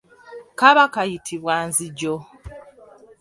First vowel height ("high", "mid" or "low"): low